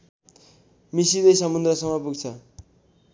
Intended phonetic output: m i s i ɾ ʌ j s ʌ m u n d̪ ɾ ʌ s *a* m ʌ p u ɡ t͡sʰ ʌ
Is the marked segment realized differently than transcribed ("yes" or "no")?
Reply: yes